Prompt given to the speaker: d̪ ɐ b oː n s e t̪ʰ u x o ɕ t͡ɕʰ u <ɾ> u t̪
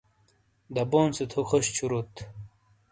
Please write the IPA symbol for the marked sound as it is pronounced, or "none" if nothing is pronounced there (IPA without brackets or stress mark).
ɾ